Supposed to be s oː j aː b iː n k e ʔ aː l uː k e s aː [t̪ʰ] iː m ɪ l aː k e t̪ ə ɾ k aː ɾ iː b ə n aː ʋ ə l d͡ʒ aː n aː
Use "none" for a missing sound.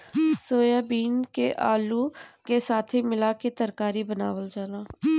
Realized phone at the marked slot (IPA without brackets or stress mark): t̪ʰ